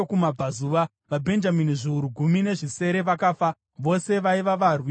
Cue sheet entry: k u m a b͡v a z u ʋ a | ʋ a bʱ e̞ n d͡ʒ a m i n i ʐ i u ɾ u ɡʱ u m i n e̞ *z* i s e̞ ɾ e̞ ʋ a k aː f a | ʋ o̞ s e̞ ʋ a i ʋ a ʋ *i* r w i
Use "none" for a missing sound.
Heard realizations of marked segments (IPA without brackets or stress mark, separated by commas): ʐ, a